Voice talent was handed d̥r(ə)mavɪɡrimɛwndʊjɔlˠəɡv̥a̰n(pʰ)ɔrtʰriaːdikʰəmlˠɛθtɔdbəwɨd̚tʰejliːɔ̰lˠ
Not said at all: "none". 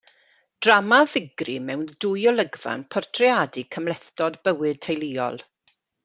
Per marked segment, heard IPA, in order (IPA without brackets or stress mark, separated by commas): a, pʰ